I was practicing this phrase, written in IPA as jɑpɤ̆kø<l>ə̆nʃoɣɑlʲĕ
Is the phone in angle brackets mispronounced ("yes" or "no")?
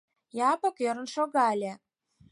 yes